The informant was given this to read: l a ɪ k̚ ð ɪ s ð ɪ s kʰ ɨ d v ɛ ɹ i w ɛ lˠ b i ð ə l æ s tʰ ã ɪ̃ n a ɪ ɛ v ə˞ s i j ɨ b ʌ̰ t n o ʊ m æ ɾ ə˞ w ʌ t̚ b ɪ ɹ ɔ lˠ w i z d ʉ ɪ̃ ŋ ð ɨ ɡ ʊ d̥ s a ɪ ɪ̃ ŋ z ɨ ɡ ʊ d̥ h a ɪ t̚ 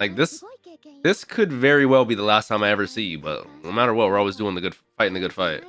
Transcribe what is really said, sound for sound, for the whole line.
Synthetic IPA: l a ɪ k̚ ð ɪ s ð ɪ s kʰ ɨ d v ɛ ɹ i w ɛ lˠ b i ð ə l æ s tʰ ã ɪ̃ m a ɪ ɛ v ə˞ s i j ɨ b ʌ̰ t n o ʊ m æ ɾ ə˞ w ʌ t̚ w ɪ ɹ ɔ lˠ w i z d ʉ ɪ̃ ŋ ð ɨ ɡ ʊ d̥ f a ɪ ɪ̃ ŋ ð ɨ ɡ ʊ d̥ f a ɪ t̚